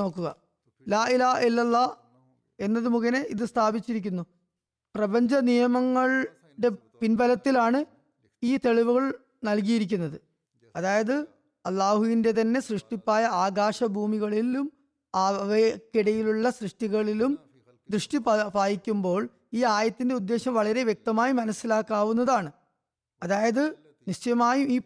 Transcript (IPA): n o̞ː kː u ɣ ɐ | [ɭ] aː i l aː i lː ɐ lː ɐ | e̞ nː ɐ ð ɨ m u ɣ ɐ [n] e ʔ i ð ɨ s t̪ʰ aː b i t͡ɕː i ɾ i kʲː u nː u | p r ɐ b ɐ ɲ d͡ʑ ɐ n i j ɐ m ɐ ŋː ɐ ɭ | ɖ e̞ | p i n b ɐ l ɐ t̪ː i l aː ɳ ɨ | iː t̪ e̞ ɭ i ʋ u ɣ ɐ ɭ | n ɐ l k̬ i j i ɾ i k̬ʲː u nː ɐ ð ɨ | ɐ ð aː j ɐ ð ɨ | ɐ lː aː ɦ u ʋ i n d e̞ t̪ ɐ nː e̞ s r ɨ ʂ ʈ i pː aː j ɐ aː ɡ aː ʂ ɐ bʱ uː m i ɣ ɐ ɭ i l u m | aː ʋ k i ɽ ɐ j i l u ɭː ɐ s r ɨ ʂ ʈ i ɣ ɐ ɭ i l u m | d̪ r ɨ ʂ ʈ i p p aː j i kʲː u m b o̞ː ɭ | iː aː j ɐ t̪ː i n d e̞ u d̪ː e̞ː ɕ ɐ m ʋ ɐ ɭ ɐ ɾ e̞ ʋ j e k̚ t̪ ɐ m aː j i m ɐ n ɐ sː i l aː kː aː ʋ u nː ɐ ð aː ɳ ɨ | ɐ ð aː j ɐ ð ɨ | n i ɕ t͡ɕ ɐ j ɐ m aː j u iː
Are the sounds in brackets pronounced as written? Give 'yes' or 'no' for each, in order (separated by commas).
no, yes